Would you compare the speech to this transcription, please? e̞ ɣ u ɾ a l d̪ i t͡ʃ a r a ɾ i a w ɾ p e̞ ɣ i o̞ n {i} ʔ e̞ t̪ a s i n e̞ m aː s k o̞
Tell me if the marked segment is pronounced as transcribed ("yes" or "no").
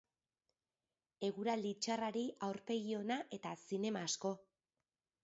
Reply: no